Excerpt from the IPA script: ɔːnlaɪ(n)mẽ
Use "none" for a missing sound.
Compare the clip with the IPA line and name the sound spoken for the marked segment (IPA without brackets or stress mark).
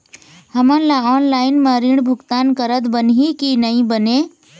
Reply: n